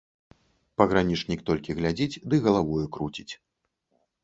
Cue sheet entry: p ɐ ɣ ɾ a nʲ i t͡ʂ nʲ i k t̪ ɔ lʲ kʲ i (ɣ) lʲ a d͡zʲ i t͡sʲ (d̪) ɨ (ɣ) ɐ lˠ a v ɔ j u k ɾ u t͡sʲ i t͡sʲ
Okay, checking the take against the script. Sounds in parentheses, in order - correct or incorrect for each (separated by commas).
correct, correct, correct